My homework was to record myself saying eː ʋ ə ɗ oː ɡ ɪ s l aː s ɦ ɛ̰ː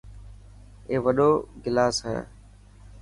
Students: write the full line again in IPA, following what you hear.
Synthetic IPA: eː ʋ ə ɗ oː ɡ ɪ l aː s ɦ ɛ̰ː